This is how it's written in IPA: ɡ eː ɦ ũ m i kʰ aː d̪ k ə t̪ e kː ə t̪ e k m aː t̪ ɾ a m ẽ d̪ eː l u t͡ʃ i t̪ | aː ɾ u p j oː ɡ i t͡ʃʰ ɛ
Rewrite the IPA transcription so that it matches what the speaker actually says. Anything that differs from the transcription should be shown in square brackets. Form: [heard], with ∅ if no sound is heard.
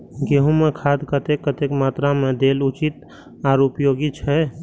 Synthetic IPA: ɡ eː ɦ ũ m [e] kʰ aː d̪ k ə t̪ e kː ə t̪ e k m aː t̪ ɾ a m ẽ d̪ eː l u t͡ʃ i t̪ | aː ɾ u p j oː ɡ i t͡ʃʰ ɛ